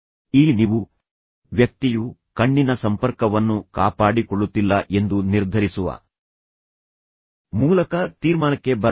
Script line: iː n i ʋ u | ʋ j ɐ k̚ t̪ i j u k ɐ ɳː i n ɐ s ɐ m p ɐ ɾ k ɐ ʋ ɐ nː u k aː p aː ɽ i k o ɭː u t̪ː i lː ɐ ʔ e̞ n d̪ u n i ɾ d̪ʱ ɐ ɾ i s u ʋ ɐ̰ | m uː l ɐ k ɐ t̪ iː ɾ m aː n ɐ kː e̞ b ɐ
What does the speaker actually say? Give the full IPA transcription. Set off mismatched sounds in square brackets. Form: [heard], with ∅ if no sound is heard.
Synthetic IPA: iː n i ʋ u | ʋ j ɐ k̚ t̪ i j u k ɐ ɳː i n ɐ s ɐ m p ɐ ɾ k ɐ ʋ ɐ nː u k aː p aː ɽ i k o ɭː u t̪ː i lː ɐ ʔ e̞ n d̪ u n i ɾ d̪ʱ ɐ ɾ i s u ʋ ɐ̰ | m uː l ɐ k ɐ t̪ iː ɾ m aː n ɐ kː e̞ b ɐ